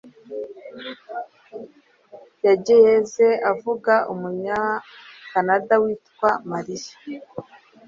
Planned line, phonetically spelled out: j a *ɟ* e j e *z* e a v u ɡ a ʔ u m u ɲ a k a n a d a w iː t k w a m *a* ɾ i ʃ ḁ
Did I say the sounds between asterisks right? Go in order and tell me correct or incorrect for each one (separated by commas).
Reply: correct, correct, correct